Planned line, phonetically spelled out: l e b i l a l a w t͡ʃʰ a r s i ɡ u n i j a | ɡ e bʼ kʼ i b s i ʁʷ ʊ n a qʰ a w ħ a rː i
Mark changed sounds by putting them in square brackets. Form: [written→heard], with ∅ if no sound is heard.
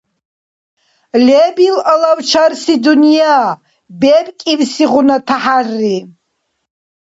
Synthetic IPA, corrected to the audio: l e b i l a l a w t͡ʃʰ a r s i [ɡ→d] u n i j a | [ɡ→b] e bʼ kʼ i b s i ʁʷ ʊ n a [qʰ→tʰ] a [w→∅] ħ a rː i